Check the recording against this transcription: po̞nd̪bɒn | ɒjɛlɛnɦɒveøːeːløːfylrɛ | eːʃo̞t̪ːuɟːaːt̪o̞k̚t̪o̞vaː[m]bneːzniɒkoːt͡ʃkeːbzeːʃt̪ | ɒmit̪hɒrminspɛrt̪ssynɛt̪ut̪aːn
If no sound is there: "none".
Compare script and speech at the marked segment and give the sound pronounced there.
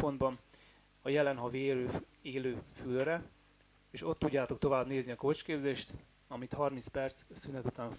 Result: none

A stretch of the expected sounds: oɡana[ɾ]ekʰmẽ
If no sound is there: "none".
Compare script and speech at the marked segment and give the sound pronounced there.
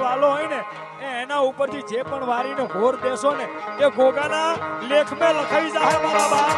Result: l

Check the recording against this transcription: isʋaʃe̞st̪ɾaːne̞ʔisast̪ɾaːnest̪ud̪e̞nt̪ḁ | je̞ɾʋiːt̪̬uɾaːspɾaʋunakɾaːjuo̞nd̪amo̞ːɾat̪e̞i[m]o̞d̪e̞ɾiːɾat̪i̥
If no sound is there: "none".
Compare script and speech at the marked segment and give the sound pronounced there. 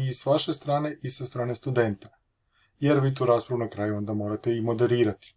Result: m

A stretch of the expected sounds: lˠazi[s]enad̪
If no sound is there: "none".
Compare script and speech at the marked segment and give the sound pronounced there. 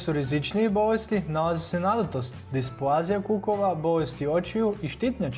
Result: s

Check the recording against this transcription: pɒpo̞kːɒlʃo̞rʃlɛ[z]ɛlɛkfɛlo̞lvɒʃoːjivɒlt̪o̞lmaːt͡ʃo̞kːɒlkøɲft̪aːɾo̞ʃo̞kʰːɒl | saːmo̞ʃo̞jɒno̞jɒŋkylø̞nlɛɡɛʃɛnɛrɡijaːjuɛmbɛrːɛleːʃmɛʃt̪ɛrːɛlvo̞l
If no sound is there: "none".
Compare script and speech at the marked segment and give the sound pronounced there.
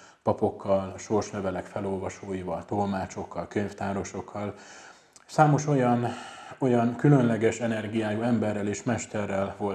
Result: v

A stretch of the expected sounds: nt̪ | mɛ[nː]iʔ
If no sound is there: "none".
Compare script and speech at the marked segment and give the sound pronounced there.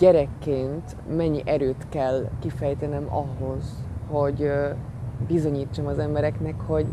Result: ɲː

